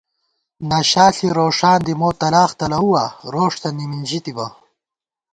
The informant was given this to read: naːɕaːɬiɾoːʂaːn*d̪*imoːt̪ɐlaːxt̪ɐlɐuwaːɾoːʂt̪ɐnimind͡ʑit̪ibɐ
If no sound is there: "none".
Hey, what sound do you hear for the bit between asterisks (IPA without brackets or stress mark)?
d̪